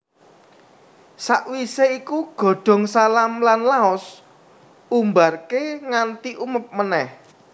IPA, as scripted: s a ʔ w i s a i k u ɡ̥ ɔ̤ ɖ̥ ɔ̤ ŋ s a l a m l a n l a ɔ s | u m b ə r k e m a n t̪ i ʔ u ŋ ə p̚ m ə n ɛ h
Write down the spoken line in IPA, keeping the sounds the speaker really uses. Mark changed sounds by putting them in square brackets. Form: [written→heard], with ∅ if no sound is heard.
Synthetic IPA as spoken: s a ʔ w i s [a→e] i k u ɡ̥ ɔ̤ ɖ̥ ɔ̤ ŋ s a l a m l a n l a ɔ s | u m b [ə→a] r k e [m→ŋ] a n t̪ i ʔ u [ŋ→m] ə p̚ m ə n ɛ h